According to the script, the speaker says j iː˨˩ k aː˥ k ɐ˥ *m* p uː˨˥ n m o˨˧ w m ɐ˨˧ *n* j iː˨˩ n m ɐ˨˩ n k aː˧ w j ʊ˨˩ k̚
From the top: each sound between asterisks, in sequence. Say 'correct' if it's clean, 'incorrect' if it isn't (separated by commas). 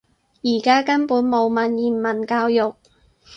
incorrect, correct